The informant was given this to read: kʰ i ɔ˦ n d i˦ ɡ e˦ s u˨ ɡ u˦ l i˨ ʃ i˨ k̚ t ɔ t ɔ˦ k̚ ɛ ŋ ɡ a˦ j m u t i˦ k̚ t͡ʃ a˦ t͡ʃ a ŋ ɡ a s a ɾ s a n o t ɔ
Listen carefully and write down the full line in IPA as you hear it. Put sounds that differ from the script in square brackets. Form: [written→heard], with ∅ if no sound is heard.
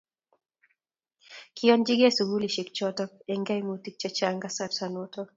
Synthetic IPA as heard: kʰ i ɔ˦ n [d→d͡ʒ] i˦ ɡ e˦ s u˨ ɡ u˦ l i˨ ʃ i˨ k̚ [t→t͡ʃ] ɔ t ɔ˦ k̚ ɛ ŋ ɡ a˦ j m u t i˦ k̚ t͡ʃ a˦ t͡ʃ a ŋ ɡ a s a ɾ s a n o t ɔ